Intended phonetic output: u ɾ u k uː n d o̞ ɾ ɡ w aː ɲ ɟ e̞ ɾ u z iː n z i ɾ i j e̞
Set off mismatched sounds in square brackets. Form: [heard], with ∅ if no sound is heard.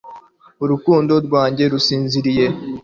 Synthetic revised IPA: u ɾ u k uː n d o̞ ɾ ɡ w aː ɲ ɟ e̞ ɾ u [s] iː n z i ɾ i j e̞